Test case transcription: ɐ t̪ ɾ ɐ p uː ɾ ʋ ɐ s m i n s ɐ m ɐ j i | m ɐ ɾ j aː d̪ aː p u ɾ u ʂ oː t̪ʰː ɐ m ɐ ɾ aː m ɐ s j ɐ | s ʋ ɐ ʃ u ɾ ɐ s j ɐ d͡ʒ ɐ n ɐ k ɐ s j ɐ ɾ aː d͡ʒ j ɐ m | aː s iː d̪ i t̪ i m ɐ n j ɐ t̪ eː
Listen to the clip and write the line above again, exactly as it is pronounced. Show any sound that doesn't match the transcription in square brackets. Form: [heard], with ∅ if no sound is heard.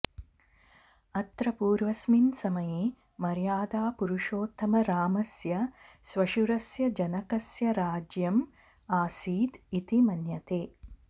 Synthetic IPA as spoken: ɐ t̪ ɾ ɐ p uː ɾ ʋ ɐ s m i n s ɐ m ɐ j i | m ɐ ɾ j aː d̪ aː p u ɾ u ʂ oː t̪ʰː ɐ m ɐ ɾ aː m ɐ s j ɐ | s ʋ ɐ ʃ u ɾ ɐ s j ɐ d͡ʒ ɐ n ɐ k ɐ s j ɐ ɾ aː d͡ʒ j ɐ m | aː s iː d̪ i t̪ i m ɐ n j ɐ t̪ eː